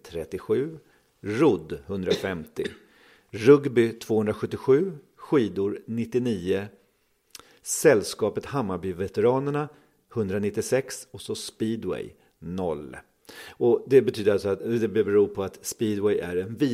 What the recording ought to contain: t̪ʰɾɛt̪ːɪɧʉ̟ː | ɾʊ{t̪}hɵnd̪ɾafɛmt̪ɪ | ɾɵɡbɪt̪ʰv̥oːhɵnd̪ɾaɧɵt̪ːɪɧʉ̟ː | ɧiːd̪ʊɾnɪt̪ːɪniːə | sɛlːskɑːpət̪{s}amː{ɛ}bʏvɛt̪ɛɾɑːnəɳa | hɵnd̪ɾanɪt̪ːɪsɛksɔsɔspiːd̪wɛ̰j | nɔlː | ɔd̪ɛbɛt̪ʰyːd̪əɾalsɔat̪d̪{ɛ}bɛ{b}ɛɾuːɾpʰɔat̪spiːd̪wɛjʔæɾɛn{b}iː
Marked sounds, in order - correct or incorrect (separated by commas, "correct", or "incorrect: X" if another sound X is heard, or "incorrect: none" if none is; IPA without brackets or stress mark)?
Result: incorrect: d̪, incorrect: h, incorrect: a, correct, correct, incorrect: v